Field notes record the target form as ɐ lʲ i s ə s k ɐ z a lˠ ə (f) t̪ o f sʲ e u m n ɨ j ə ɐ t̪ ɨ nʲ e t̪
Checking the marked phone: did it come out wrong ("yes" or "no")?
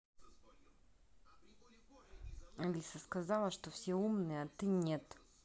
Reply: yes